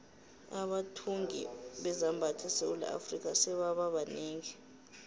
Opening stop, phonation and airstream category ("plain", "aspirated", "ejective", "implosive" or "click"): implosive